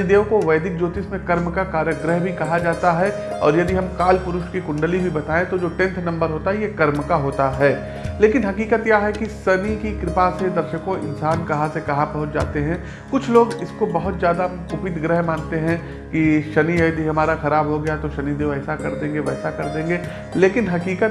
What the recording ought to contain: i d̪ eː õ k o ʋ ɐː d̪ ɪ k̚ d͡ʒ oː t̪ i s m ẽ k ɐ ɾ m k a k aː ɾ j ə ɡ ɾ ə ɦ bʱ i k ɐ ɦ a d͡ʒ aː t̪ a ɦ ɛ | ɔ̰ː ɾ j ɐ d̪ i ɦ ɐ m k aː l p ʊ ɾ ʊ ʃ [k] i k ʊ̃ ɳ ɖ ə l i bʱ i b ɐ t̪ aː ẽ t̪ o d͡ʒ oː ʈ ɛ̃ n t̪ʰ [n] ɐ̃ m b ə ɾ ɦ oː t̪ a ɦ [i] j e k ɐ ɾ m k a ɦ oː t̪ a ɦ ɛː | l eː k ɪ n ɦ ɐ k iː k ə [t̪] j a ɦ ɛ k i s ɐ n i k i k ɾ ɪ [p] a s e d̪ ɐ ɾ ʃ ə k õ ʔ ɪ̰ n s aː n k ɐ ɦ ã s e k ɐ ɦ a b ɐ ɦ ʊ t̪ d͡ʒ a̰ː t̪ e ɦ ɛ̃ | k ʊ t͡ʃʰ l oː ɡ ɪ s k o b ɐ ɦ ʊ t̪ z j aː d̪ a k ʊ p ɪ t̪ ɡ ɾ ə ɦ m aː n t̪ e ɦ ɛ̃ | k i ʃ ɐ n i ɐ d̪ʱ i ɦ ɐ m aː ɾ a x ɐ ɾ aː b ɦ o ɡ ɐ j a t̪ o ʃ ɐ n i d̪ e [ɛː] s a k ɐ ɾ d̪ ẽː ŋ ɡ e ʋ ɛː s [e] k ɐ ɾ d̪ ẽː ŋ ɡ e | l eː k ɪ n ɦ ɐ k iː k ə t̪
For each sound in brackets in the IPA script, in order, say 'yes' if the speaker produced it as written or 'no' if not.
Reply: yes, yes, no, yes, yes, yes, no

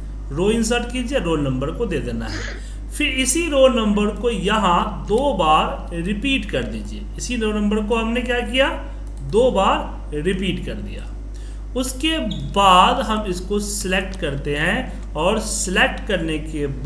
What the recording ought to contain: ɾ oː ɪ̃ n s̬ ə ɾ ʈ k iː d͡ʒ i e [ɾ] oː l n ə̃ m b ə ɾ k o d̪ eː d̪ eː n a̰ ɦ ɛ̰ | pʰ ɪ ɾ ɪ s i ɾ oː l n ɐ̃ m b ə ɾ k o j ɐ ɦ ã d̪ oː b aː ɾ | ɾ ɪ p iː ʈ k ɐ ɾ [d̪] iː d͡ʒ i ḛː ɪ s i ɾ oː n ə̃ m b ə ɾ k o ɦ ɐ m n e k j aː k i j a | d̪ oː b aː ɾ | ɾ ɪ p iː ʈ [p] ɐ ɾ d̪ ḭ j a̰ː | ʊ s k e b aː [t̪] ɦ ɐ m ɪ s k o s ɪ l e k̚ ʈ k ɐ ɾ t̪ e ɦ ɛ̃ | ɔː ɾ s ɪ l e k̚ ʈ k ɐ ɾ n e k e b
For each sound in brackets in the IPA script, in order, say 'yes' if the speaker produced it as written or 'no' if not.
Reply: yes, yes, no, no

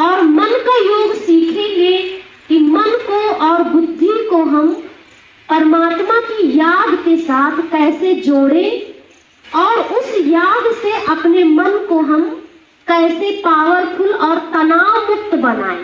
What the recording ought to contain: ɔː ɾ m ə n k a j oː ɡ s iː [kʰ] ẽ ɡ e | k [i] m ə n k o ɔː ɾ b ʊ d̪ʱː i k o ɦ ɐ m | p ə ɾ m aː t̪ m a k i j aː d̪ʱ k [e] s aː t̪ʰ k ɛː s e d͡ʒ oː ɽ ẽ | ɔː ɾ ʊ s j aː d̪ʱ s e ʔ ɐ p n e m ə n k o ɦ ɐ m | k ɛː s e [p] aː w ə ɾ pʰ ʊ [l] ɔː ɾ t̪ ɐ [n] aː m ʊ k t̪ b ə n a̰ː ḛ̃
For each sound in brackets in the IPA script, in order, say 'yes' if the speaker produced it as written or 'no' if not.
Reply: yes, yes, yes, yes, yes, yes

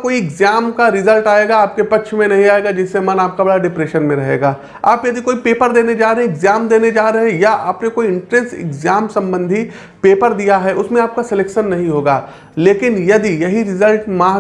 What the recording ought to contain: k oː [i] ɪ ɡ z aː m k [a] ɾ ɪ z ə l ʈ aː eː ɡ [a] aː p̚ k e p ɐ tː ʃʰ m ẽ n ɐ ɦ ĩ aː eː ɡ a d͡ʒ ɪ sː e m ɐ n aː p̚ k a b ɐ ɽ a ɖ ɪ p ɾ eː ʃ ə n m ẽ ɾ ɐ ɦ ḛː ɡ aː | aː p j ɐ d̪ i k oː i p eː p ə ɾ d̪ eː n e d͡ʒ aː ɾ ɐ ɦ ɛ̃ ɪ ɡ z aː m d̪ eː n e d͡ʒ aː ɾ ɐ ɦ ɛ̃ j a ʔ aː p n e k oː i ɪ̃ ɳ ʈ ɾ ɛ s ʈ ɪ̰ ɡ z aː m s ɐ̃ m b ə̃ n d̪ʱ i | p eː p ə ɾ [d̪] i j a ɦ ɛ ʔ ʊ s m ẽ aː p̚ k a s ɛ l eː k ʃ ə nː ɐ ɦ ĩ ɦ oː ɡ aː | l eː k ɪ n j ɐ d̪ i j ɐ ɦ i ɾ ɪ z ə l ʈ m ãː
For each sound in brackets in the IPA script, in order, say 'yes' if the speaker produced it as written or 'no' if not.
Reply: yes, yes, yes, yes

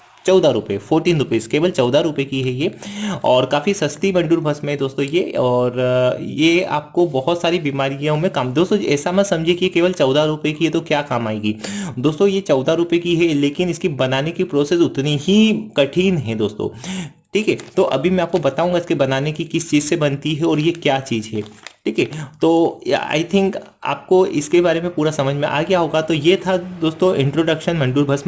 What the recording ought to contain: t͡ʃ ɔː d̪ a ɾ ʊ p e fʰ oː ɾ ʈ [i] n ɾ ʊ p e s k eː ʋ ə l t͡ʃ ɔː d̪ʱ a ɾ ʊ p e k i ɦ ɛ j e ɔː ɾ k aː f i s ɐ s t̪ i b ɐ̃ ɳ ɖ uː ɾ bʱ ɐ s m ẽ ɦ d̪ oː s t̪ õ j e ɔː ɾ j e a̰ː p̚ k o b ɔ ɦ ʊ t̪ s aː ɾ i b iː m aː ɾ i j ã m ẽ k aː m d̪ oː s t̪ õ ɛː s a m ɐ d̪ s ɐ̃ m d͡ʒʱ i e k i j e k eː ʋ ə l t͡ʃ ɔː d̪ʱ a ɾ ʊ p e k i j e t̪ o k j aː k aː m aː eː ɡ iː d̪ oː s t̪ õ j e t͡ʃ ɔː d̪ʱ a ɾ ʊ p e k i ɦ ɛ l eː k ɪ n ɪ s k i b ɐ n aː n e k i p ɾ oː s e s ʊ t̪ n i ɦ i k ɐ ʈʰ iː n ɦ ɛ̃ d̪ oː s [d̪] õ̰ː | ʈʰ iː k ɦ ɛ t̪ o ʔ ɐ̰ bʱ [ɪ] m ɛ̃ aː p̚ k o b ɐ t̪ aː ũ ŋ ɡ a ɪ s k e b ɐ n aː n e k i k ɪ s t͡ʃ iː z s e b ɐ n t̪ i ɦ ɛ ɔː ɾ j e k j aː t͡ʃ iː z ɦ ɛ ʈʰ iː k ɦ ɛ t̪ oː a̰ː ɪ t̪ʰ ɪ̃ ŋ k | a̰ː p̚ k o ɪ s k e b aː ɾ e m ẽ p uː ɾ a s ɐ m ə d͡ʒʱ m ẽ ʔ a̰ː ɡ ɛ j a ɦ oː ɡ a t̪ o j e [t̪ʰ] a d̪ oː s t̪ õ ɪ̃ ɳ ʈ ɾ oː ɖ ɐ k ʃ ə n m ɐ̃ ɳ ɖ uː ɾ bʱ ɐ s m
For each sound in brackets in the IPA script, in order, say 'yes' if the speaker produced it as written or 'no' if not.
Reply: no, no, no, yes

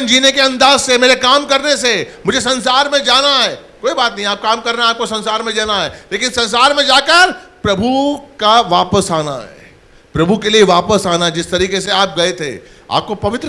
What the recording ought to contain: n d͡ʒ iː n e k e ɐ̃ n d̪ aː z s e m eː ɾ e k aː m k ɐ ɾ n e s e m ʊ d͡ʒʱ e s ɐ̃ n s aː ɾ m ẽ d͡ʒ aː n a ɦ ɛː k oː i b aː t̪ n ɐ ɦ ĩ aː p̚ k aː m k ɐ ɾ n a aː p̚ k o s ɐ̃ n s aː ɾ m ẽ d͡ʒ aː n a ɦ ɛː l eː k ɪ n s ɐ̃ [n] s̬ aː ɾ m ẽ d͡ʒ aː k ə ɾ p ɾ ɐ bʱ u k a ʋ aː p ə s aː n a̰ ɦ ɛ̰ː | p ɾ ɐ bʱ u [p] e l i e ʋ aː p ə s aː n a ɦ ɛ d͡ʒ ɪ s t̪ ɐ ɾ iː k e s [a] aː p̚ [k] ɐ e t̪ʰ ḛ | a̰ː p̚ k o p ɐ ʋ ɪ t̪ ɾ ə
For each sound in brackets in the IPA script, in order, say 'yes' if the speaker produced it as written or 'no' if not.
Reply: yes, no, no, no

